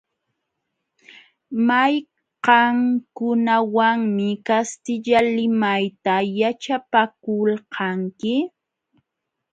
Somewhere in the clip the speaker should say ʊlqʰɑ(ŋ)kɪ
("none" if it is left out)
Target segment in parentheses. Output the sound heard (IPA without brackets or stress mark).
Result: ŋ